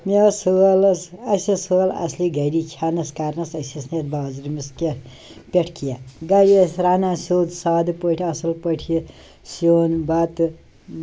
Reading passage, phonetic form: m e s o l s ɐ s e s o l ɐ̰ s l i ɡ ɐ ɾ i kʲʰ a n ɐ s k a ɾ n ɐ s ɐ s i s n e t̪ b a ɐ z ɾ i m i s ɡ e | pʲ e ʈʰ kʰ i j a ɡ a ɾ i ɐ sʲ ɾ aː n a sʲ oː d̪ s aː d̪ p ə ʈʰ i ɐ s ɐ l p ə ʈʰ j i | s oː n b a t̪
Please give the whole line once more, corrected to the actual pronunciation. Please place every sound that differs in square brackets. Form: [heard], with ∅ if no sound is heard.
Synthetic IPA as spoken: m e s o l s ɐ s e s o l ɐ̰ s l i ɡ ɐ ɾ i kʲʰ a n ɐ s k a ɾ n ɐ s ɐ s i s n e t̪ b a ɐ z ɾ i m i s [k] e | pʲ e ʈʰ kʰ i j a ɡ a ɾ i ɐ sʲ ɾ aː n a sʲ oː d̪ s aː d̪ p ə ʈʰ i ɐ s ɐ l p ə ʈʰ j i | s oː n b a t̪